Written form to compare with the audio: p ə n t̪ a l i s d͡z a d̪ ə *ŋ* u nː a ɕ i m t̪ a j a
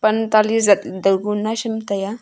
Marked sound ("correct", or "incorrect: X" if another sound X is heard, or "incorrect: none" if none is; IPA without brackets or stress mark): incorrect: ɡ